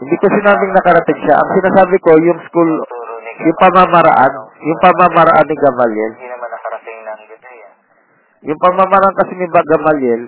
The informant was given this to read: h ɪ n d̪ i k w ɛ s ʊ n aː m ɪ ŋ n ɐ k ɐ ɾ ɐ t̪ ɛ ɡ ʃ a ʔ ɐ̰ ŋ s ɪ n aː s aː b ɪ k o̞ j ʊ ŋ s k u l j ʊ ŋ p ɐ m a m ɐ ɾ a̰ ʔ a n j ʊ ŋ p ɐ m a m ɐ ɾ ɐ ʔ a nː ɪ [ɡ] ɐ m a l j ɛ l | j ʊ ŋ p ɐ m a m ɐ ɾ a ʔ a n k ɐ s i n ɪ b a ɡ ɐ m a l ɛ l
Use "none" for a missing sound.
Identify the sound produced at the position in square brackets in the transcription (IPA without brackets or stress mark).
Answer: ɡ